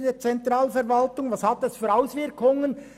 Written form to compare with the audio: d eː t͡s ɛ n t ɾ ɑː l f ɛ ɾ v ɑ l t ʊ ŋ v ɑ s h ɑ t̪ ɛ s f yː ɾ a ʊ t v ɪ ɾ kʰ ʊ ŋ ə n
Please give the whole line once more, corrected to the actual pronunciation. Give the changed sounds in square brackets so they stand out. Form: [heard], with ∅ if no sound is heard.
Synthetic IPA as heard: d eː t͡s ɛ n t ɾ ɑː l f ɛ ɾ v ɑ l t ʊ ŋ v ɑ s h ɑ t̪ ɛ s f yː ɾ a ʊ [s] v ɪ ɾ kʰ ʊ ŋ ə n